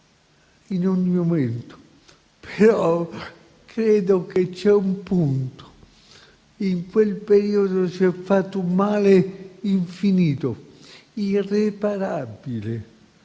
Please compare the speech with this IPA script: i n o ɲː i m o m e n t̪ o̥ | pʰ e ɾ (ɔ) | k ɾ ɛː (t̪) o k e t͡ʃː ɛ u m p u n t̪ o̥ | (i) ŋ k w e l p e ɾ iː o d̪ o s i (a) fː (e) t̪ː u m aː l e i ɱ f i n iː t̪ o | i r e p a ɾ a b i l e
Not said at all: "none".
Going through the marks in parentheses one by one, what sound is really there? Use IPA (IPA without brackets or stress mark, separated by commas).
ɔ, d̪, i, ɛ, a